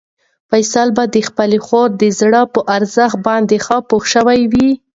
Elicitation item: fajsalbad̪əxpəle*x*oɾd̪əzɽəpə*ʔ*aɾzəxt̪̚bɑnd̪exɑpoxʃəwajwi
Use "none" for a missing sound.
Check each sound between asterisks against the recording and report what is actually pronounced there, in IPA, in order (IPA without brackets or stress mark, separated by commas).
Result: x, ʔ